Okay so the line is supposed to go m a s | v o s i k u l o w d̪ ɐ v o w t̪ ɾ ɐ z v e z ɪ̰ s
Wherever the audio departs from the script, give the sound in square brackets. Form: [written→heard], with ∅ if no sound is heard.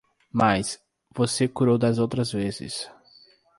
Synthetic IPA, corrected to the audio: m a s | v o s [i→e] k u [l→ɾ] o w d̪ ɐ [v→z] o w t̪ ɾ ɐ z v e z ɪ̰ s